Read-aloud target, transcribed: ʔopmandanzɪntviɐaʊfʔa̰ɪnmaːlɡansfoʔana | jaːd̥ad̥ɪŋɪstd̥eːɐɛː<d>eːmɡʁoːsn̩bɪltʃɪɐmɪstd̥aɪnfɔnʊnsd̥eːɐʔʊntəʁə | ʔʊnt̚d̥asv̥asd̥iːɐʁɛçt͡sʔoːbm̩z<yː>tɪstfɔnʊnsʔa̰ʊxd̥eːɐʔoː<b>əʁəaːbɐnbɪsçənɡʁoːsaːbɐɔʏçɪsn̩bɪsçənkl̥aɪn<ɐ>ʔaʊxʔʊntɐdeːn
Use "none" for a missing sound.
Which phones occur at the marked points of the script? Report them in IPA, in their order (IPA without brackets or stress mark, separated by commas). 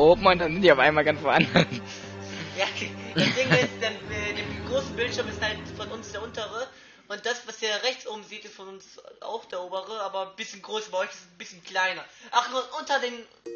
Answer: d, iː, b, ɐ